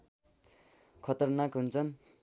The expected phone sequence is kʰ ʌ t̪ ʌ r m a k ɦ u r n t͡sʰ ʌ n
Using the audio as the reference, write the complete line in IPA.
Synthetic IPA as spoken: kʰ ʌ t̪ ʌ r n a k ɦ u n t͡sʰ ʌ n

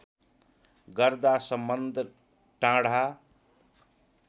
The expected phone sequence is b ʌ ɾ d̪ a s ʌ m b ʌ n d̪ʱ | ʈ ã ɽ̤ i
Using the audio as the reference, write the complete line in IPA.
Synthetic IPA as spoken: ɡ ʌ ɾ d̪ a s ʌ m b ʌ n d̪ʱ | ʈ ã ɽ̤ a

